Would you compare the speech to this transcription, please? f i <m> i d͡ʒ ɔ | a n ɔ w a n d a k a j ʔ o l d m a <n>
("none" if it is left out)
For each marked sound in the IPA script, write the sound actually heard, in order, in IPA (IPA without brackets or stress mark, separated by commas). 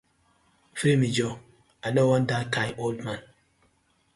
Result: m, n